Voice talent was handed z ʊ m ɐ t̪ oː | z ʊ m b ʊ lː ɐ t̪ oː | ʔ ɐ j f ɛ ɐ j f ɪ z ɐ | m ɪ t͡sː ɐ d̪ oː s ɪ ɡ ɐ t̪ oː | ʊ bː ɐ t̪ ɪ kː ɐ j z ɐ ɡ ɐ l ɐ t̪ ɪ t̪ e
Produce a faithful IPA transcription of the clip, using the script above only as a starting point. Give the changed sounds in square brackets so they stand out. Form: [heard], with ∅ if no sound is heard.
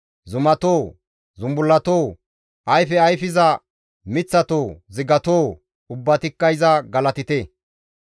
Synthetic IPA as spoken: z ʊ m ɐ t̪ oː | z ʊ m b ʊ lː ɐ t̪ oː | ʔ ɐ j f ɛ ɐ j f ɪ z ɐ | m ɪ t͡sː ɐ [t̪] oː [z] ɪ ɡ ɐ t̪ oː | ʊ bː ɐ t̪ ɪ kː ɐ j z ɐ ɡ ɐ l ɐ t̪ ɪ t̪ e